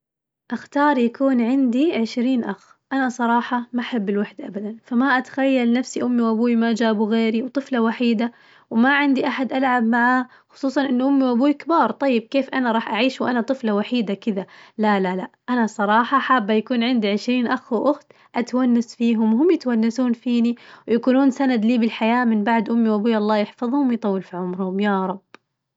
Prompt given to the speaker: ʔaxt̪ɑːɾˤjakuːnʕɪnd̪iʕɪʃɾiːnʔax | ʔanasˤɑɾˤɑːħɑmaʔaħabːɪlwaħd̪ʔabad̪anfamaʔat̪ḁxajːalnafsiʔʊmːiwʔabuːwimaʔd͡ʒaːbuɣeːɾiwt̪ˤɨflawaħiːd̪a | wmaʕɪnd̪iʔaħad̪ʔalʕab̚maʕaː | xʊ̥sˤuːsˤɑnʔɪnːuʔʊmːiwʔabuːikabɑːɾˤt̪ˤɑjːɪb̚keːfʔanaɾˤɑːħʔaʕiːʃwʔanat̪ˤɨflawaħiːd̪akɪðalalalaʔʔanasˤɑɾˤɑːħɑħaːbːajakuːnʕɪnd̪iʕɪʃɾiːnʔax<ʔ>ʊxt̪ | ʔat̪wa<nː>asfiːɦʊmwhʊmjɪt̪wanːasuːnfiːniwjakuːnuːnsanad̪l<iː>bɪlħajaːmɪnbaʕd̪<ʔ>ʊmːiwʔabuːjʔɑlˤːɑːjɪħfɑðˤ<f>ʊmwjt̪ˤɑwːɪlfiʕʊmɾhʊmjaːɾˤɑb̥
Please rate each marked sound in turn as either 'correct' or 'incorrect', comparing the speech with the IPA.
correct, correct, correct, correct, incorrect: h

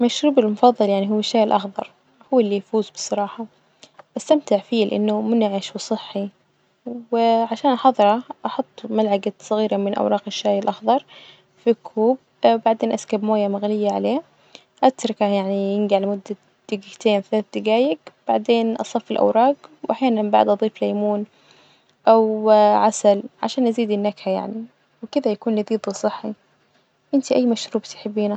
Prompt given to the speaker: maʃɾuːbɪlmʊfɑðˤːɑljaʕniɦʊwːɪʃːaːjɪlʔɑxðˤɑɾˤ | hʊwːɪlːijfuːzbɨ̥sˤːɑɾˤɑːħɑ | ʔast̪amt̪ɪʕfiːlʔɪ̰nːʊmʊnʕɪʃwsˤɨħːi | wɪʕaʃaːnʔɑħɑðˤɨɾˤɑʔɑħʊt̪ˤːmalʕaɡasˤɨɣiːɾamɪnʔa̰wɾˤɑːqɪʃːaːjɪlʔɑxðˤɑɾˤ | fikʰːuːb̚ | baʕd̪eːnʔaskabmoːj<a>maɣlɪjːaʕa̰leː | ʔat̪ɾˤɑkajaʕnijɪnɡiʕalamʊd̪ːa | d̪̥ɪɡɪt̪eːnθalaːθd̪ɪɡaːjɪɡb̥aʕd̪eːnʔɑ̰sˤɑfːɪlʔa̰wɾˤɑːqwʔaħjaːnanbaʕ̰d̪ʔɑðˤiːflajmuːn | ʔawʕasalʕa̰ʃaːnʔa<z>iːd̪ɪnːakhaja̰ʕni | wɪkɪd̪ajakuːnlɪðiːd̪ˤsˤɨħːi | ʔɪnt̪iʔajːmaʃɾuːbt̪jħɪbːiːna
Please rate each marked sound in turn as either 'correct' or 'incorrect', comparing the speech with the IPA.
correct, correct

